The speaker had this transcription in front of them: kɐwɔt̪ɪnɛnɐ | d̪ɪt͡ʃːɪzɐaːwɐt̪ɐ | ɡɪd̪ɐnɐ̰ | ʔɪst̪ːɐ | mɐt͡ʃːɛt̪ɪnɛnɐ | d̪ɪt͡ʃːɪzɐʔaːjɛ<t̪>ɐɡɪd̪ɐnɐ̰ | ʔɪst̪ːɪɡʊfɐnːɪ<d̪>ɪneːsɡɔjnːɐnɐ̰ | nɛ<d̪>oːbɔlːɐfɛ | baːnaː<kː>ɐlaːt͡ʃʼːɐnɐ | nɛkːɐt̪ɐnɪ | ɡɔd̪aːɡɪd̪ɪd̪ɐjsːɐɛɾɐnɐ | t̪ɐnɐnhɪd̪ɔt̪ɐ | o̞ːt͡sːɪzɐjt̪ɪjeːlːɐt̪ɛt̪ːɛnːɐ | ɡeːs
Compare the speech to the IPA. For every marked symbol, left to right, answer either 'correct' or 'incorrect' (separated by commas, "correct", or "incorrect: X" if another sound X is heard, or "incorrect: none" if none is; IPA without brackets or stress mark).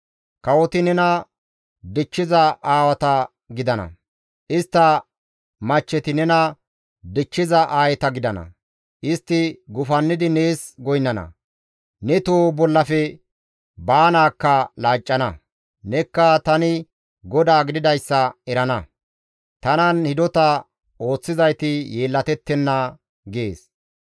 correct, correct, incorrect: t̪, correct